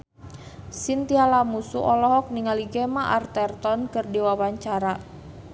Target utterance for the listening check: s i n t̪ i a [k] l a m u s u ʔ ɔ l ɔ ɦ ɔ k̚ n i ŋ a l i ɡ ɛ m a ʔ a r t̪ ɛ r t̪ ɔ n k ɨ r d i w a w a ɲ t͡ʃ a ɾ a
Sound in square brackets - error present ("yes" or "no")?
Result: yes